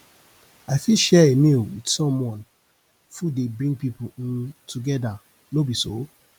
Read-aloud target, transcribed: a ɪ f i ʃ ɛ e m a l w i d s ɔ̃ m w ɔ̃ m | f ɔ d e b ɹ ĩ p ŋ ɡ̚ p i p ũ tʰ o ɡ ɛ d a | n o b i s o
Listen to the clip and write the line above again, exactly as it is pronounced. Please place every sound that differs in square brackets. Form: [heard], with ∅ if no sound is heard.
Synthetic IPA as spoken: a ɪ f i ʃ ɛ e m [i] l w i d s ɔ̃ m w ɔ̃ [n] | f [u] d e b ɹ ĩ [∅] ŋ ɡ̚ p i p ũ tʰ [u] ɡ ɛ d a | n o b i s o